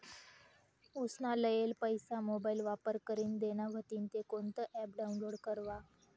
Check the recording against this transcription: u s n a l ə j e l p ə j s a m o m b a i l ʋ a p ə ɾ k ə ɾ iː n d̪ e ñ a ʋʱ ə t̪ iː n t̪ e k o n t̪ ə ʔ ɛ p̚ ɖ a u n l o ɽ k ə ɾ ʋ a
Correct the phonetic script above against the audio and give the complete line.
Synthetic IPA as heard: u s n a l ə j e l p ə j s a m o b a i l ʋ a p ə ɾ k ə ɾ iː n d̪ e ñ a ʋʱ ə t̪ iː n t̪ e k o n t̪ ə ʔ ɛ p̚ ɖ a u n l o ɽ k ə ɾ ʋ a